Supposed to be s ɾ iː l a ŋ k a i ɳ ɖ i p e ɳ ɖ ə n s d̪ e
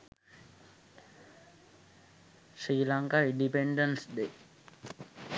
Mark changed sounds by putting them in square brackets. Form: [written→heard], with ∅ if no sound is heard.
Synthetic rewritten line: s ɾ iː l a ŋ k a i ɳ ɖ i p e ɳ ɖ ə n s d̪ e

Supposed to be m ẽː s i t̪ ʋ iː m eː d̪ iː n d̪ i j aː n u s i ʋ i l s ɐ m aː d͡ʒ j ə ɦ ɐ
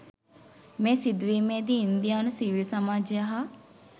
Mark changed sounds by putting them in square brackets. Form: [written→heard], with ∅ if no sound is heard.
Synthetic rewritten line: m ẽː s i [t̪→d̪] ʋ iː m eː d̪ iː n d̪ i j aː n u s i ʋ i l s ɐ m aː d͡ʒ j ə ɦ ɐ

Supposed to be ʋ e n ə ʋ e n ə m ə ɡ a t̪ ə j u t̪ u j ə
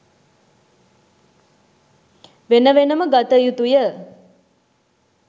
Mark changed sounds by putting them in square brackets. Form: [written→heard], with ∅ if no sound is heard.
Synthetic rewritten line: ʋ e n ə ʋ e n ə m ə ɡ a t̪ ə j u t̪ u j ə

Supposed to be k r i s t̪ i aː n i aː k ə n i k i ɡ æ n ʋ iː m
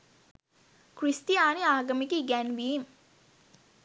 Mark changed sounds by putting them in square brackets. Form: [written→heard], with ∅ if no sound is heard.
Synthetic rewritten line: k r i s t̪ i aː n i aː [k→ɡ] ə [n→m] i k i ɡ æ n ʋ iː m

